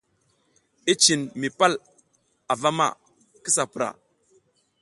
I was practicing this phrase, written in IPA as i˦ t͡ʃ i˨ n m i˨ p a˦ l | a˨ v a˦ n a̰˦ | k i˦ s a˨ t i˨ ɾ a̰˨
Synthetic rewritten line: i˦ t͡ʃ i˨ n m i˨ p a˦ l | a˨ v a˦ m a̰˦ | k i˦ s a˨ p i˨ ɾ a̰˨